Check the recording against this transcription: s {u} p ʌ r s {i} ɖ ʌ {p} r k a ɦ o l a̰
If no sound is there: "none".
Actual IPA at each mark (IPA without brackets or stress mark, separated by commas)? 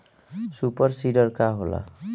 u, i, none